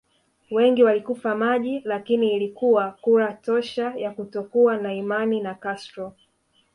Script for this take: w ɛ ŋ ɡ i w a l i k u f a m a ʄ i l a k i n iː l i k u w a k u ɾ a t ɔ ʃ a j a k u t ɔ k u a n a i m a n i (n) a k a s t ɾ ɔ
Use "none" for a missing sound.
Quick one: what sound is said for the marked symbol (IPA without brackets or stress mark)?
n